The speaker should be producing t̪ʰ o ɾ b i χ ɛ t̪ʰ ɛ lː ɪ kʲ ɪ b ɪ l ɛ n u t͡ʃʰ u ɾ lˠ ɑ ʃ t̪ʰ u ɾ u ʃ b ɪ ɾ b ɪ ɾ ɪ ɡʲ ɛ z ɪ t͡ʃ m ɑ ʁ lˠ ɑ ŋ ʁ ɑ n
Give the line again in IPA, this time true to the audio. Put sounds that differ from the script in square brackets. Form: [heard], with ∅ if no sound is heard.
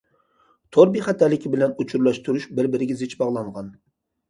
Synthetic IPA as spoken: t̪ʰ o ɾ b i χ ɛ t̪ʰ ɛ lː ɪ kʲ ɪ b ɪ l ɛ n u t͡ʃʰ u ɾ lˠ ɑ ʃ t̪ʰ u ɾ u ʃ b ɪ ɾ b ɪ ɾ ɪ ɡʲ ɛ z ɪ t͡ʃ [b] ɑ ʁ lˠ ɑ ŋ ʁ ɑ n